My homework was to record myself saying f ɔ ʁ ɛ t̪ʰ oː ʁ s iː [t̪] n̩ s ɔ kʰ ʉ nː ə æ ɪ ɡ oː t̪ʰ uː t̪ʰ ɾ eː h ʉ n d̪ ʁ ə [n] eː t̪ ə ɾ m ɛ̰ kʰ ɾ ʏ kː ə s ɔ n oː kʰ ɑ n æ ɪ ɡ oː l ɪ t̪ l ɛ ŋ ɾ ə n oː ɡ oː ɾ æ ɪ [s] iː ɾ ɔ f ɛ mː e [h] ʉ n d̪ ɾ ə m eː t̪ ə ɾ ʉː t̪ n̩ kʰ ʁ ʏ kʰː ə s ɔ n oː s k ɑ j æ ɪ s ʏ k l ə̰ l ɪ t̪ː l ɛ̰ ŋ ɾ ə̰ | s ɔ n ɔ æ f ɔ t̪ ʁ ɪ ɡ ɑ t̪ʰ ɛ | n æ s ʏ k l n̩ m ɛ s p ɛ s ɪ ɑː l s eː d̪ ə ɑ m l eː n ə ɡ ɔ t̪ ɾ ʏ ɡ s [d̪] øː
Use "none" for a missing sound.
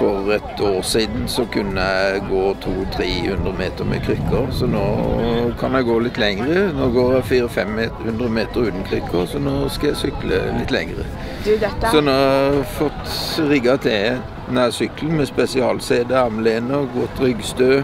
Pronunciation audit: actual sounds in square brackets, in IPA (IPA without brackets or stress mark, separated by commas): d̪, m, f, h, t̪